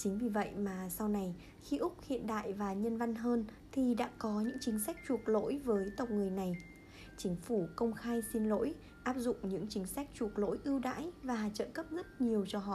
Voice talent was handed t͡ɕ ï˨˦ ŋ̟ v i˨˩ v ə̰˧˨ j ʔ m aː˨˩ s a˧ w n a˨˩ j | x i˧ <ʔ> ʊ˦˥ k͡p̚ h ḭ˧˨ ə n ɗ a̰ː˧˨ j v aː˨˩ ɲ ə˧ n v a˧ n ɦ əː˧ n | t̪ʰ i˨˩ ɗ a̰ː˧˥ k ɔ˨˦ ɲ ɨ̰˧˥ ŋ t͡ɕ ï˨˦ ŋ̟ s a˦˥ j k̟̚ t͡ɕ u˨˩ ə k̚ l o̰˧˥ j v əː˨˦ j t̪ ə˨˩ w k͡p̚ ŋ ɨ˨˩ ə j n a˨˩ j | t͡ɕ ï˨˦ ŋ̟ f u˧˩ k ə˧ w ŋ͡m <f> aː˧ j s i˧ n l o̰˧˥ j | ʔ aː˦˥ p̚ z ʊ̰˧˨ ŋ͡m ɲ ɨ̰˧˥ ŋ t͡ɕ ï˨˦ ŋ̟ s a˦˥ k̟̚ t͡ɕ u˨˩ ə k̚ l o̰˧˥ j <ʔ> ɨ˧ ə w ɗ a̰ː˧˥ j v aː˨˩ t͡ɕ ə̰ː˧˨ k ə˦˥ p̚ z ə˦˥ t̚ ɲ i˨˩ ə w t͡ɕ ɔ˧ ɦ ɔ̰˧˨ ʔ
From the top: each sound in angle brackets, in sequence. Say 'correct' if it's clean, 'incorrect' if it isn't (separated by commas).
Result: correct, incorrect, correct